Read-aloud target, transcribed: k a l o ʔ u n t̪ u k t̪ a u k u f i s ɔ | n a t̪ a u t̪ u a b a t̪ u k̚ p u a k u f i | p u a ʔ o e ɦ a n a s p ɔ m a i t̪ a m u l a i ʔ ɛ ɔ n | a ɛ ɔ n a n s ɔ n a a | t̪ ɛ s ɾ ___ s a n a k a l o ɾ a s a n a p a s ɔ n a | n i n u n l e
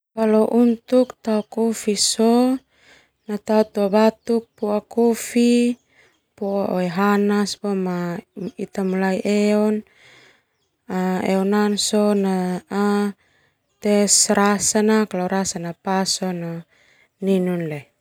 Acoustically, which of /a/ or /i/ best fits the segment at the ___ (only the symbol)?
a